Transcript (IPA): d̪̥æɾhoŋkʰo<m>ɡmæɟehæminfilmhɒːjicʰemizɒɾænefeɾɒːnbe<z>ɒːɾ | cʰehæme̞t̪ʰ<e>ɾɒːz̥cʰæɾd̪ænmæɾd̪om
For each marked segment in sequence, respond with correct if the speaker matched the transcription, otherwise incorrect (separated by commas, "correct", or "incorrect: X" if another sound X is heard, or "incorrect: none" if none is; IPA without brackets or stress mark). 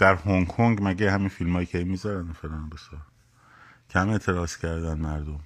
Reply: incorrect: ŋ, incorrect: s, correct